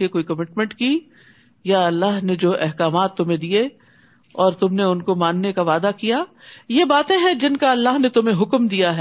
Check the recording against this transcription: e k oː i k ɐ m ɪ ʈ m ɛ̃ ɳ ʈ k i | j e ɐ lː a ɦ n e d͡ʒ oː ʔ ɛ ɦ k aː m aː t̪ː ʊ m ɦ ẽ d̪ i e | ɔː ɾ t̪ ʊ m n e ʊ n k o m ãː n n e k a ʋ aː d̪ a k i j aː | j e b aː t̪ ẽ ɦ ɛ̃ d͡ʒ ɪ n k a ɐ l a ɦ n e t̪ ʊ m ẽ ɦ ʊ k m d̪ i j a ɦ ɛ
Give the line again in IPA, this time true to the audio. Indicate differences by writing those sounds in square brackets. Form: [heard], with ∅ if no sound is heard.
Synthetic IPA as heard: e k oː i k ɐ m ɪ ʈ m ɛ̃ ɳ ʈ k i | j [a] ɐ lː a ɦ n e d͡ʒ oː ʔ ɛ ɦ k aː m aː t̪ː ʊ m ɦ ẽ d̪ i e | ɔː ɾ t̪ ʊ m n e ʊ n k o m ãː n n e k a ʋ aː d̪ a k i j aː | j e b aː t̪ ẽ ɦ ɛ̃ d͡ʒ ɪ n k a ɐ [lː] a ɦ n e t̪ ʊ m ẽ ɦ ʊ k m d̪ i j a ɦ ɛ